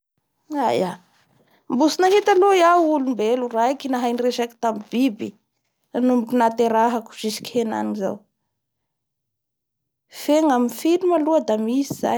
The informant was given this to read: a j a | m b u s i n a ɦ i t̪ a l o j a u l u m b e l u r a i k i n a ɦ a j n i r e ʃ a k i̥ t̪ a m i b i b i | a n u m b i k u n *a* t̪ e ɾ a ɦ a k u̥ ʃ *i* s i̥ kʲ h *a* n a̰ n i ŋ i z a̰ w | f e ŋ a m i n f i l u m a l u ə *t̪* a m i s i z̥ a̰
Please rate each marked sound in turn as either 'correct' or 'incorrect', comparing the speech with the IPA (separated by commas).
correct, correct, incorrect, incorrect